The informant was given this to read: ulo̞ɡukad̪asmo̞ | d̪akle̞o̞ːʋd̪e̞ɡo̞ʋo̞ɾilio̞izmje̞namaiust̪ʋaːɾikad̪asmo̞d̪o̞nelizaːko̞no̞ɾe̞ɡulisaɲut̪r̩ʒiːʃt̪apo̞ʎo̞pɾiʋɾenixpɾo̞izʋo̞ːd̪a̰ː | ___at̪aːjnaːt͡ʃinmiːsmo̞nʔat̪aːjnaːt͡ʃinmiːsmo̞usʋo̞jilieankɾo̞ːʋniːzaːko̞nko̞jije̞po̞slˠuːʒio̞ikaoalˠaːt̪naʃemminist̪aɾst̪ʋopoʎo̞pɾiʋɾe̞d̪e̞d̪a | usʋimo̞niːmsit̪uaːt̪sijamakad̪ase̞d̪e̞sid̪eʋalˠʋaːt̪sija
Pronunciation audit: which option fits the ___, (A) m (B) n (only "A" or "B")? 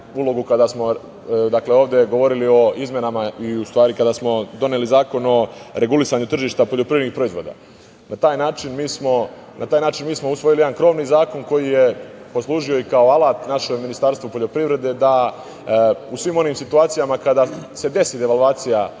B